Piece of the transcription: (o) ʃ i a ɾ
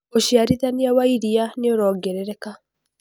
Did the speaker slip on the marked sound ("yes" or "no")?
no